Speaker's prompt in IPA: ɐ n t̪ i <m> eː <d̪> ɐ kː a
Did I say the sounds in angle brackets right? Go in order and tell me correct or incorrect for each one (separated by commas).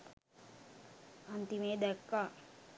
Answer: correct, correct